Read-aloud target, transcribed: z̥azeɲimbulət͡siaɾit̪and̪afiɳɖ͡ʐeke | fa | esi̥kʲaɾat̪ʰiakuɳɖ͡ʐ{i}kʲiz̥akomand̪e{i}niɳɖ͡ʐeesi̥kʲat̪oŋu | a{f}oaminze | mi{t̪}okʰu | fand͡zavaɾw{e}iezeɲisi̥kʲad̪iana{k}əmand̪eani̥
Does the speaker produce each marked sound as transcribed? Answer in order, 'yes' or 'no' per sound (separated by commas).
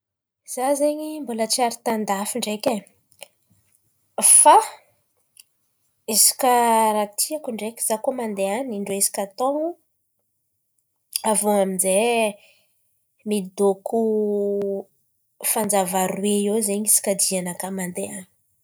no, no, no, no, yes, yes